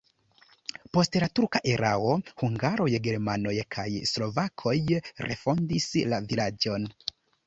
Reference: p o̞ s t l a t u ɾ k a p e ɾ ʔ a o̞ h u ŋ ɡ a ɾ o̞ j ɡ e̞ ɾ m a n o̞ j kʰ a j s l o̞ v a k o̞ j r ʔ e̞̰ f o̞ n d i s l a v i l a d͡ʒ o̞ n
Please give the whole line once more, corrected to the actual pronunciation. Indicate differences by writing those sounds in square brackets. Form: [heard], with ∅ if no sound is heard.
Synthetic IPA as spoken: p o̞ s t l a t u ɾ k a [ʔ] e ɾ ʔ a o̞ h u ŋ ɡ a ɾ o̞ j ɡ e̞ ɾ m a n o̞ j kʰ a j s l o̞ v a [kʰ] o̞ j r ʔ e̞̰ f o̞ n d i s l a v i l a d͡ʒ o̞ n